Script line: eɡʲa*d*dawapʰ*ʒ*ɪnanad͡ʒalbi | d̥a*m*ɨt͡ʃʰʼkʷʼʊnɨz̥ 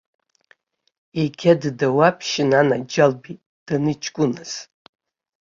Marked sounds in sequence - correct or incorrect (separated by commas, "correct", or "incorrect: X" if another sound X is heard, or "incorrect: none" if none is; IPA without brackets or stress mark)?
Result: correct, incorrect: ʃ, incorrect: n